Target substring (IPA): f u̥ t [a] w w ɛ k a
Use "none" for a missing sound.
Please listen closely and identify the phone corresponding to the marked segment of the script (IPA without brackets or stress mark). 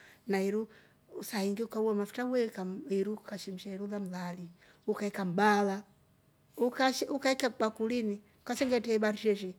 a